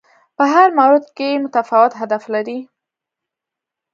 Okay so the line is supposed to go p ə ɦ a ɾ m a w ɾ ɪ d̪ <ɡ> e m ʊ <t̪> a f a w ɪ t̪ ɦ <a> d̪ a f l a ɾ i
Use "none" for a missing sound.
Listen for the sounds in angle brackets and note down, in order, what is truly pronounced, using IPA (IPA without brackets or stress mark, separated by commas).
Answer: k, t̪, a